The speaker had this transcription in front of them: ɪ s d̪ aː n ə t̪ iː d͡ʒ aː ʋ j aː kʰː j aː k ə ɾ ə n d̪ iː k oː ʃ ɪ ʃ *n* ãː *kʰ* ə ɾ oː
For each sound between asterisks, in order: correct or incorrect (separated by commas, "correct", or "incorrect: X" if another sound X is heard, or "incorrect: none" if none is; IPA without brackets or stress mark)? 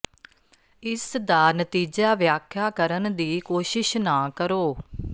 correct, incorrect: k